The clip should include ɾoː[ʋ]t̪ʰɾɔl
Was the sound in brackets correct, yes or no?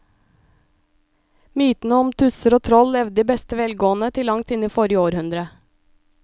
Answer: no